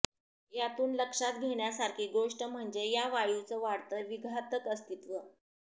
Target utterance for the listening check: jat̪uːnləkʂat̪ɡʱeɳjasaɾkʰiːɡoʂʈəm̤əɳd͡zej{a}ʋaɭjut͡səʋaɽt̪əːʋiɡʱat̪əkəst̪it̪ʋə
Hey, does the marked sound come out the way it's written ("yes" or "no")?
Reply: yes